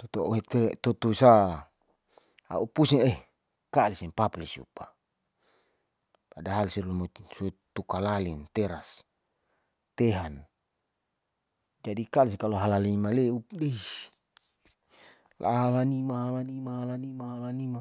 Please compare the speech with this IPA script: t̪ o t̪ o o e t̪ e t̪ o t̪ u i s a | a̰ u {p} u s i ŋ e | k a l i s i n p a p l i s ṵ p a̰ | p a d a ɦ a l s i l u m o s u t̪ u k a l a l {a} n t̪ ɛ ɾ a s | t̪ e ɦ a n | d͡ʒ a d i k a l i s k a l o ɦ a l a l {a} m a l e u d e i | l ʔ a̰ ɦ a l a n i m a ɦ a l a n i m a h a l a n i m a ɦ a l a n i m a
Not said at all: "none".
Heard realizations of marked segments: p, i, i

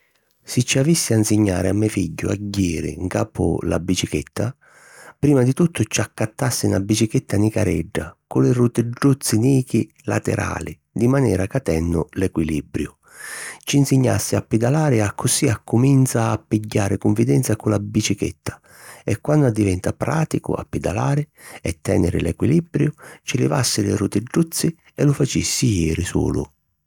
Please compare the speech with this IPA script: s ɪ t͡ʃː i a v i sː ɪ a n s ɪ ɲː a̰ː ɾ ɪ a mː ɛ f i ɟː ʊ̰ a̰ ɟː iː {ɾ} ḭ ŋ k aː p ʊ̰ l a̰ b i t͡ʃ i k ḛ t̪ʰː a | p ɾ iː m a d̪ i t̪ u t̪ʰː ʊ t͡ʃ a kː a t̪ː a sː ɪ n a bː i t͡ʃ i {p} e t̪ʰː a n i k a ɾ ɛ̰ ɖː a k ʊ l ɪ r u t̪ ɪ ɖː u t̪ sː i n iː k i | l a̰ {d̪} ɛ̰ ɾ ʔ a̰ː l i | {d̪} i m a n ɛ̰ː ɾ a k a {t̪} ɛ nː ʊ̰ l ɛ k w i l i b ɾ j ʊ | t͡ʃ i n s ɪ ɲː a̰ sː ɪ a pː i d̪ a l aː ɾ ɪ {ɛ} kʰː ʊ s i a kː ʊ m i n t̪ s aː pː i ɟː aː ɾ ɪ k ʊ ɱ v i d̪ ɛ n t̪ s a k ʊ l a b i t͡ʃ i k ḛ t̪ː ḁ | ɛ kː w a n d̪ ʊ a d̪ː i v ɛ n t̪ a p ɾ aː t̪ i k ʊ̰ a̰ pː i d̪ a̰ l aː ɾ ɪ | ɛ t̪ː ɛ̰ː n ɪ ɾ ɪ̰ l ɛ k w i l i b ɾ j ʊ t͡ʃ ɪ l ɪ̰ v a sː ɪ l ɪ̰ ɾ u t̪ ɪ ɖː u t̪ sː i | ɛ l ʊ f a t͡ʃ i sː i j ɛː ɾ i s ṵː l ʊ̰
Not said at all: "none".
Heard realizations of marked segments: ɾ, k, t̪, d̪, t̪, a

